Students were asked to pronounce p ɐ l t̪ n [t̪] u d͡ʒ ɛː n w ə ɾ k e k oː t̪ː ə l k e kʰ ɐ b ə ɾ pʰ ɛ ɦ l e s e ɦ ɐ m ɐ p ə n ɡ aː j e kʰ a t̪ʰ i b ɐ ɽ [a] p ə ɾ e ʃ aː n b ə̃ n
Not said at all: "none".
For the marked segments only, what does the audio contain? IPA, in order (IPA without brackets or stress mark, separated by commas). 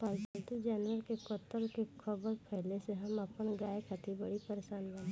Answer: t̪, i